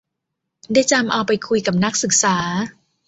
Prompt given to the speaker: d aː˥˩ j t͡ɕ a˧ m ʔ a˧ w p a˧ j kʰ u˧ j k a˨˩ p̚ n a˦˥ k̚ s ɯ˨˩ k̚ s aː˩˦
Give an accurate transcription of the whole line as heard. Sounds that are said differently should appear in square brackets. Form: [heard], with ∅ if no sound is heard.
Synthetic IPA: d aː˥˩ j t͡ɕ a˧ m ʔ a˧ w p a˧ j kʰ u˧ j k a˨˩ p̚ n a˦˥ k̚ s ɯ˨˩ k̚ s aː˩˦